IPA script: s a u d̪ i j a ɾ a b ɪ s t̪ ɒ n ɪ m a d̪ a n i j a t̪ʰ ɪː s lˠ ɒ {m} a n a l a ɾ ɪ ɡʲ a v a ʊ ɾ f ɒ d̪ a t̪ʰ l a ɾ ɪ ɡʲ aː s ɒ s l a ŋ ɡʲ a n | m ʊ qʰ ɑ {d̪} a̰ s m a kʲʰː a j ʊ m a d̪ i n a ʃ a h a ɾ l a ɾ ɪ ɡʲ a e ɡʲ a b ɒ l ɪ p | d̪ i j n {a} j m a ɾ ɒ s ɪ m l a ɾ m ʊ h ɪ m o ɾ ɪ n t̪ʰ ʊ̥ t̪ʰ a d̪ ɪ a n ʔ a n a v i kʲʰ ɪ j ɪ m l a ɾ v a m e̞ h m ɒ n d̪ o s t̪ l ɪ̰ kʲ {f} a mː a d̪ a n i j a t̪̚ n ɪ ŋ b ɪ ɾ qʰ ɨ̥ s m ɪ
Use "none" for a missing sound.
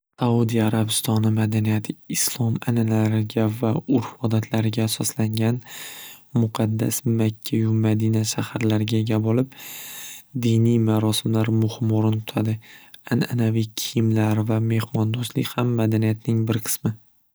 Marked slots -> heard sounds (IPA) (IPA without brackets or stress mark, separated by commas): m, d̪ː, i, h